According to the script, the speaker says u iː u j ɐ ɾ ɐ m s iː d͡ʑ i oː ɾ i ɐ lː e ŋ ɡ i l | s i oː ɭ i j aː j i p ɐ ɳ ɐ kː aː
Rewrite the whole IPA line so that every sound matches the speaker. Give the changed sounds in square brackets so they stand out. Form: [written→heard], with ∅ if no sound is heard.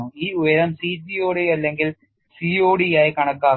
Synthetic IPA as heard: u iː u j ɐ ɾ ɐ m s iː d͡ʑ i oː [ɾ→ɽ] i ɐ lː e ŋ ɡ i l | s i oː [ɭ→ɽ] i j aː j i [p→k] ɐ ɳ ɐ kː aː